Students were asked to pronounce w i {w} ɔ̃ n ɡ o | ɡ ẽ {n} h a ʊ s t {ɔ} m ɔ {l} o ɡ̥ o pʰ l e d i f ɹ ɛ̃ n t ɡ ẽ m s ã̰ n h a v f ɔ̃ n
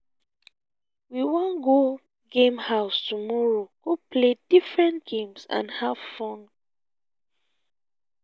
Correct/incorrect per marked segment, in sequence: correct, incorrect, incorrect, incorrect

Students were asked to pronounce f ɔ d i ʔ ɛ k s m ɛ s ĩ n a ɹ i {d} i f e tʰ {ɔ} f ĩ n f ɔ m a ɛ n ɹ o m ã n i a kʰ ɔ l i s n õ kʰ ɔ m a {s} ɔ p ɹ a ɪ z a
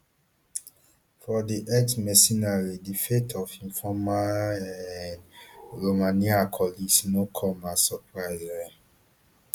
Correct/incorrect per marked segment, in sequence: correct, correct, correct

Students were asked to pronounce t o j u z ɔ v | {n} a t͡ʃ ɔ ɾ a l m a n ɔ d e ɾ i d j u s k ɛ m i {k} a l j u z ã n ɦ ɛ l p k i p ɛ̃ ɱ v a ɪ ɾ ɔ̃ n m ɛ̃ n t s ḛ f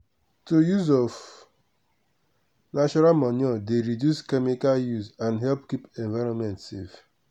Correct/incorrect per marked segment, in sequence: correct, correct

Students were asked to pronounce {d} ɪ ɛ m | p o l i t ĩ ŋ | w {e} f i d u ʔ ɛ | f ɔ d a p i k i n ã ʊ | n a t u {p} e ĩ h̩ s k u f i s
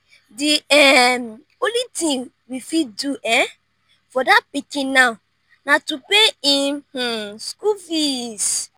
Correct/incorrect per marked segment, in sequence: correct, incorrect, correct

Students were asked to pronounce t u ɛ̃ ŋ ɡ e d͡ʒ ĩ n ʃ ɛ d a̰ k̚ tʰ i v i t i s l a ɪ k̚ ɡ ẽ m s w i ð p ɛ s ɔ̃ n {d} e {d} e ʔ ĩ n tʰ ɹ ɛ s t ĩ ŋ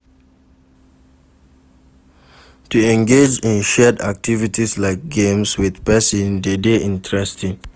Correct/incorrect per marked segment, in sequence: correct, correct

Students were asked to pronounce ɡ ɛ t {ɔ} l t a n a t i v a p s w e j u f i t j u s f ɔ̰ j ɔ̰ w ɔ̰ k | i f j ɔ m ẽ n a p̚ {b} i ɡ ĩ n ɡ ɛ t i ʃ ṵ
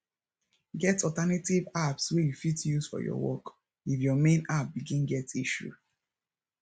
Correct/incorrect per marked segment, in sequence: correct, correct

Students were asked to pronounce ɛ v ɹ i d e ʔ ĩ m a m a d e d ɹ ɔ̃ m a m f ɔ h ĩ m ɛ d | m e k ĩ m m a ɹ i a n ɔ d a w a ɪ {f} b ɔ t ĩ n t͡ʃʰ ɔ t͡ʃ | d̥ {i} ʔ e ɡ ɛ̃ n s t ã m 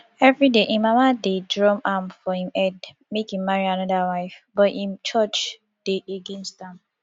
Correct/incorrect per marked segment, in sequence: correct, incorrect

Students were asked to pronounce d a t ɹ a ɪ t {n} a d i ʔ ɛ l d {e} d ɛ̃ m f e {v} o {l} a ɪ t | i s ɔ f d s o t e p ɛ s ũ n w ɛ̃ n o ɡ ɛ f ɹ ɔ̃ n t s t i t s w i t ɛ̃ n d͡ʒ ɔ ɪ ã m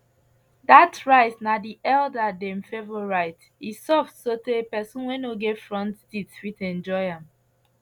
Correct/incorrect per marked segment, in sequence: correct, incorrect, correct, incorrect

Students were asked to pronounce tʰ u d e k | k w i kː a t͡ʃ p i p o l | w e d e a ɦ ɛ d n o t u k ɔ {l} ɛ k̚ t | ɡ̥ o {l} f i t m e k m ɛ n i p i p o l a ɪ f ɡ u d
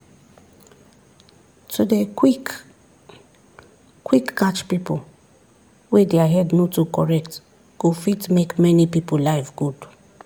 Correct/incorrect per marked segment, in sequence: incorrect, incorrect

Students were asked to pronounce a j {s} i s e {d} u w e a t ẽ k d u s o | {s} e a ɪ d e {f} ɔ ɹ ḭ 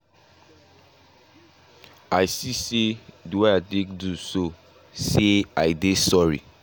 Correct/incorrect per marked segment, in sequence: correct, correct, correct, incorrect

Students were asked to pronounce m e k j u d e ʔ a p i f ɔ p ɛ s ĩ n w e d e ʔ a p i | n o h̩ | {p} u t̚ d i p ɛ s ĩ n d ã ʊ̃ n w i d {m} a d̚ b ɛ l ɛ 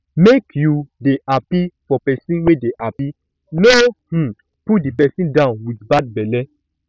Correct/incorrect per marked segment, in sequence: correct, incorrect

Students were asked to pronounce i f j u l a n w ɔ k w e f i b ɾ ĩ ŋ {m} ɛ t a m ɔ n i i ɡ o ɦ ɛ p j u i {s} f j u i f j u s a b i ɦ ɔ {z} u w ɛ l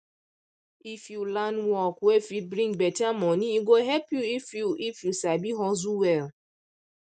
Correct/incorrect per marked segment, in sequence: incorrect, incorrect, correct

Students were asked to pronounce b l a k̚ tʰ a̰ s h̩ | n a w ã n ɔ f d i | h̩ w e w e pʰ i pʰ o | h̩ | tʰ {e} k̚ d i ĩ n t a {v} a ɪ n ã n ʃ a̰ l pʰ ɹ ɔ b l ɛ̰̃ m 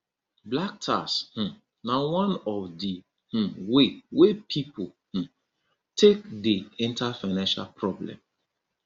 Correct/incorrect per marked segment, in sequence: correct, incorrect

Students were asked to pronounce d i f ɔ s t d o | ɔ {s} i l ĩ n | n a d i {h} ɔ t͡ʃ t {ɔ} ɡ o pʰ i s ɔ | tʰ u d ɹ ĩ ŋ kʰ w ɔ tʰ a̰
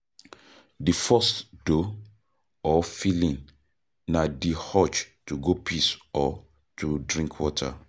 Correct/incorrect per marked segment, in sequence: incorrect, correct, incorrect

